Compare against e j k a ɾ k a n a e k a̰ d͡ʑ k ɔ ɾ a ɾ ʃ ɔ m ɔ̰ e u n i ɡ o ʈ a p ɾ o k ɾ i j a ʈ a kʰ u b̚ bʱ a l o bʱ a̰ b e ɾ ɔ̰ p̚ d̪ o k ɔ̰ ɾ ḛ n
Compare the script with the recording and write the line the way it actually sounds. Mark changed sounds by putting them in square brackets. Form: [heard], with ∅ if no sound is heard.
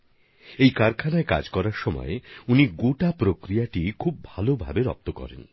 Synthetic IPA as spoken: e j k a ɾ [kʰ] a n a e k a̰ d͡ʑ k ɔ ɾ a ɾ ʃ ɔ m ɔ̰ e u n i ɡ o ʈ a p ɾ o k ɾ i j a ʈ [i] kʰ u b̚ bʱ a l o bʱ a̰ b e ɾ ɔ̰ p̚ [t̪] o k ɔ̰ ɾ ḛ n